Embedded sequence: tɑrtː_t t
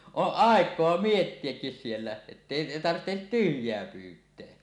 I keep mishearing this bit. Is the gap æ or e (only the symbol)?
e